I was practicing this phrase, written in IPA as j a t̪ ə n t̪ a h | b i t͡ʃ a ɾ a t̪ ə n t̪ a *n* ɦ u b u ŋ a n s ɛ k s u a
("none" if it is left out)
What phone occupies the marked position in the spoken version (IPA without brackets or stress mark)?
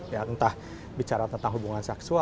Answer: ŋ